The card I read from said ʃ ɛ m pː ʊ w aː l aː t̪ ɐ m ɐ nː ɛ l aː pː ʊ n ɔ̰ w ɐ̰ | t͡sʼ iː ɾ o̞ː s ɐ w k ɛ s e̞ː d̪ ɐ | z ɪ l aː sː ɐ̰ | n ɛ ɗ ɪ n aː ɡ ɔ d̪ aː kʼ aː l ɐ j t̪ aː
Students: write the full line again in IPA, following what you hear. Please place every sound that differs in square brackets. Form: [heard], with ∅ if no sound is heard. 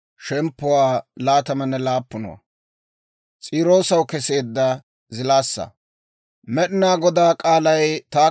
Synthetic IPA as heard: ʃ ɛ m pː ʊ w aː l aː t̪ ɐ m ɐ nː ɛ l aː pː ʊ n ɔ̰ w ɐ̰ | t͡sʼ iː ɾ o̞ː s ɐ w k ɛ s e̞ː [d̪ː] ɐ | z ɪ l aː sː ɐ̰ | [m] ɛ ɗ ɪ n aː ɡ ɔ d̪ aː kʼ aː l ɐ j t̪ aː

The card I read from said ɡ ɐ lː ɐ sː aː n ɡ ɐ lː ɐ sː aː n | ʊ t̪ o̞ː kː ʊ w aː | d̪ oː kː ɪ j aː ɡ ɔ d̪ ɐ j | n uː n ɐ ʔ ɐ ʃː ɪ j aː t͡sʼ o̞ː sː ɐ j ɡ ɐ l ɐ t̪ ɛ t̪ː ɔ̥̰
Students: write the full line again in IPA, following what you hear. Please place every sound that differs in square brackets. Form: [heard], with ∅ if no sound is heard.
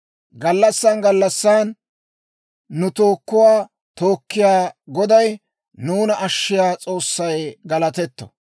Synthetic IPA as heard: ɡ ɐ lː ɐ sː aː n ɡ ɐ lː ɐ sː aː n | ʊ t̪ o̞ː kː ʊ w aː | [t̪] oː kː ɪ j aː ɡ ɔ d̪ ɐ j | n uː n ɐ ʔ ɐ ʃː ɪ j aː t͡sʼ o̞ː sː ɐ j ɡ ɐ l ɐ t̪ ɛ t̪ː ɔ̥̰

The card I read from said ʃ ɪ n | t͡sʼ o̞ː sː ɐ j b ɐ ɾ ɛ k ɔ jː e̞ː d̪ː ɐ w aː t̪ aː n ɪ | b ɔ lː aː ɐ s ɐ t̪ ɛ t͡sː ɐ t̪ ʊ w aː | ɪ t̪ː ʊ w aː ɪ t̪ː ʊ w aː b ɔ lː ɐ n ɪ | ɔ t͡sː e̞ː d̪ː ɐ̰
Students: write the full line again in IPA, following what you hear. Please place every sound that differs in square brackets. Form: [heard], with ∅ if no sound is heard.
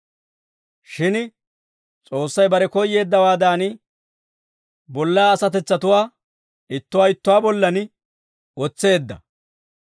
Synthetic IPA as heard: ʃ ɪ n | t͡sʼ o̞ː sː ɐ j b ɐ ɾ ɛ k ɔ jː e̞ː d̪ː ɐ w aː [d̪] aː n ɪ | b ɔ lː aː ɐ s ɐ t̪ ɛ t͡sː ɐ t̪ ʊ w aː | ɪ t̪ː ʊ w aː ɪ t̪ː ʊ w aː b ɔ lː ɐ n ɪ | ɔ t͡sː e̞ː d̪ː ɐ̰

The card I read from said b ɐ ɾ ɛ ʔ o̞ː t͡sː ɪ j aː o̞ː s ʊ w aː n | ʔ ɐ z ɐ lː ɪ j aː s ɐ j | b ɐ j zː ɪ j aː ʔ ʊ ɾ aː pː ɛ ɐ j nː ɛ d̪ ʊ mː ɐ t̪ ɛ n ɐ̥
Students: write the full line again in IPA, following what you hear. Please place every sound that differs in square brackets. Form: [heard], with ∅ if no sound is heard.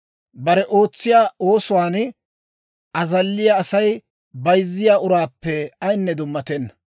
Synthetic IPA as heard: b ɐ ɾ ɛ ʔ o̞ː t͡sː ɪ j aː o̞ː s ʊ w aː n | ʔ ɐ z ɐ lː ɪ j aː s ɐ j | b ɐ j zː ɪ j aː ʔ ʊ ɾ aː pː ɛ ɐ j nː ɛ d̪ ʊ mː ɐ t̪ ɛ [nː] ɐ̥

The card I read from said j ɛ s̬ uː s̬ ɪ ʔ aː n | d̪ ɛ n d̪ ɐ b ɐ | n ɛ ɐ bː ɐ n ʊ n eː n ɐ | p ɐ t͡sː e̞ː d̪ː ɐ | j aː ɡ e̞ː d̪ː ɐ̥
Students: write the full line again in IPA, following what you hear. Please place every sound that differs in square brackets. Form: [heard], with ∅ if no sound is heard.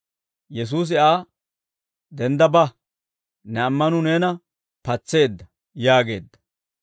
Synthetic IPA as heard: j ɛ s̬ uː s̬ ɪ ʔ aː [∅] | d̪ ɛ n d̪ ɐ b ɐ | n ɛ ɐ [mː] ɐ n ʊ n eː n ɐ | p ɐ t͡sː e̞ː d̪ː ɐ | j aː ɡ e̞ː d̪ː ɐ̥

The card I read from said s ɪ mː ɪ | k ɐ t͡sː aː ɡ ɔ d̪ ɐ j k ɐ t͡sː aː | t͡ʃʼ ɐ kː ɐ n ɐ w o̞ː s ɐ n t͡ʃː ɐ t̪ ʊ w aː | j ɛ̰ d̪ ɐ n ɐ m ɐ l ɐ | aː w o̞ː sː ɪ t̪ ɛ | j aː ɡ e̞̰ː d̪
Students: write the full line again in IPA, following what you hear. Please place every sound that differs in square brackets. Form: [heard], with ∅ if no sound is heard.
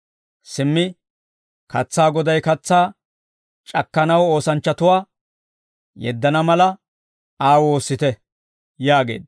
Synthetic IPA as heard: s ɪ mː ɪ | k ɐ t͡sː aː ɡ ɔ d̪ ɐ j k ɐ t͡sː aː | t͡ʃʼ ɐ kː ɐ n ɐ w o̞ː s ɐ n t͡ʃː ɐ t̪ ʊ w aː | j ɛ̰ [d̪ː] ɐ n ɐ m ɐ l ɐ | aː w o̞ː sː ɪ t̪ ɛ | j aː ɡ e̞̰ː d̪

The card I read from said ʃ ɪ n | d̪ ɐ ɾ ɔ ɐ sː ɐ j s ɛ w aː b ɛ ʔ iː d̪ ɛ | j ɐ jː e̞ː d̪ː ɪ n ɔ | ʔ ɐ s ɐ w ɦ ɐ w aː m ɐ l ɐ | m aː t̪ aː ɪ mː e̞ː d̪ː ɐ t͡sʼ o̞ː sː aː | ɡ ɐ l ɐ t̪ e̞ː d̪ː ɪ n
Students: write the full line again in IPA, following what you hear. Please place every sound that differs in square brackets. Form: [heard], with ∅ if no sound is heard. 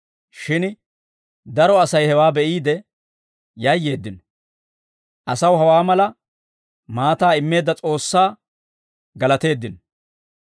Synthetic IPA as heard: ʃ ɪ n | d̪ ɐ ɾ ɔ ɐ [s] ɐ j [h] ɛ w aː b ɛ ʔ iː d̪ ɛ | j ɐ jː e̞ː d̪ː ɪ n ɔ | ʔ ɐ s ɐ w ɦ ɐ w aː m ɐ l ɐ | m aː t̪ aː ɪ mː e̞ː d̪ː ɐ t͡sʼ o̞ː sː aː | ɡ ɐ l ɐ t̪ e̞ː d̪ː ɪ n

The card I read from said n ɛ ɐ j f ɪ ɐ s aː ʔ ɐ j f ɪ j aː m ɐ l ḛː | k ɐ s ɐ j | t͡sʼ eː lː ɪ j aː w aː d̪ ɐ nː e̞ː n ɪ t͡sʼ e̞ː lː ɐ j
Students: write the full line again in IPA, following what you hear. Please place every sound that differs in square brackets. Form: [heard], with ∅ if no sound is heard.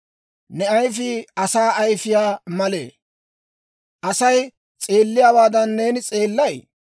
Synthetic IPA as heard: n ɛ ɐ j f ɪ ɐ s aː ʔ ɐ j f ɪ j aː m ɐ l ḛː | [ʔ] ɐ s ɐ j | t͡sʼ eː lː ɪ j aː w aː d̪ ɐ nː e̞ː n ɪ t͡sʼ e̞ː lː ɐ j

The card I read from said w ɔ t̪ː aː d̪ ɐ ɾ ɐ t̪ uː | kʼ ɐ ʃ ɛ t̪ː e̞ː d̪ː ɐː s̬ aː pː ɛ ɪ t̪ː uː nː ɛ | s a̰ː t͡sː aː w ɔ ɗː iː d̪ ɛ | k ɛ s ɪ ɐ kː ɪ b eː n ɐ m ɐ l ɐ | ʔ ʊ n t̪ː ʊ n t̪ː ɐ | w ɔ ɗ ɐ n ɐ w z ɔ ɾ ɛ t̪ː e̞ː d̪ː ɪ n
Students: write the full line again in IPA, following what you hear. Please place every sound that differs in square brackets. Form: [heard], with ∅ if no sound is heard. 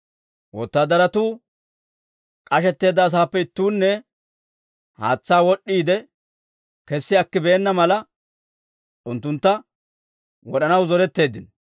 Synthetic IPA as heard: w ɔ t̪ː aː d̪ ɐ ɾ ɐ t̪ uː | kʼ ɐ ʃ ɛ t̪ː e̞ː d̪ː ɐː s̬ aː pː ɛ ɪ t̪ː uː nː ɛ | [h] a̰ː t͡sː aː w ɔ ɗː iː d̪ ɛ | k ɛ [sː] ɪ ɐ kː ɪ b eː [nː] ɐ m ɐ l ɐ | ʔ ʊ n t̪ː ʊ n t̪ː ɐ | w ɔ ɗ ɐ n ɐ w z ɔ ɾ ɛ t̪ː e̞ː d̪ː ɪ n

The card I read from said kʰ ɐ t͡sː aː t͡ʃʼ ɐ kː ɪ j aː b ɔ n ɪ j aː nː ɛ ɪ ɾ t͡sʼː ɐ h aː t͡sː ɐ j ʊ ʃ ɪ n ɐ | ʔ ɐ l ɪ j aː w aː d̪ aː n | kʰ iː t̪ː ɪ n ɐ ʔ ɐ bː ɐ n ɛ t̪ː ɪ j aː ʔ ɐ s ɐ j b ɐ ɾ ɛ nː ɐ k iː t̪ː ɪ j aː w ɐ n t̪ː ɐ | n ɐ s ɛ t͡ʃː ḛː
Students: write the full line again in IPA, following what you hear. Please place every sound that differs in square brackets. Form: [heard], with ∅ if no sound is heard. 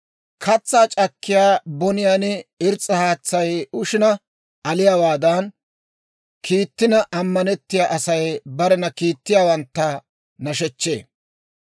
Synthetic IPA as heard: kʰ ɐ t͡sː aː t͡ʃʼ ɐ kː ɪ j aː b ɔ n ɪ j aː [n] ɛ ɪ ɾ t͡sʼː ɐ h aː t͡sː ɐ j ʊ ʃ ɪ n ɐ | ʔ ɐ l ɪ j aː w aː d̪ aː n | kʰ iː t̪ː ɪ n ɐ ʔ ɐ [mː] ɐ n ɛ t̪ː ɪ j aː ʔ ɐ s ɐ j b ɐ ɾ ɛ [n] ɐ k iː t̪ː ɪ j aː w ɐ n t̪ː ɐ | n ɐ [ʃ] ɛ t͡ʃː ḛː

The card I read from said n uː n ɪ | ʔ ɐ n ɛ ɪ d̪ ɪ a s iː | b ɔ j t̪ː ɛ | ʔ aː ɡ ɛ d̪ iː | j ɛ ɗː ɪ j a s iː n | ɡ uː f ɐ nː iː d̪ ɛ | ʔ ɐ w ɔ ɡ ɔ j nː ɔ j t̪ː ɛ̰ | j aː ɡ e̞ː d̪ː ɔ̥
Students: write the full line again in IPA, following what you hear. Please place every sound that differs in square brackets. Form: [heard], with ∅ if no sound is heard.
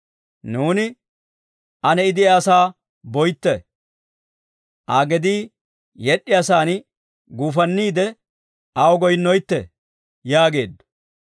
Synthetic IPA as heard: n uː n ɪ | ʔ ɐ n ɛ ɪ d̪ ɪ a s [aː] | b ɔ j t̪ː ɛ | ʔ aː ɡ ɛ d̪ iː | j ɛ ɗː ɪ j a s [aː] n | ɡ uː f ɐ nː iː d̪ ɛ | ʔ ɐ w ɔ ɡ ɔ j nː ɔ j t̪ː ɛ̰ | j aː ɡ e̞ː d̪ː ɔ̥

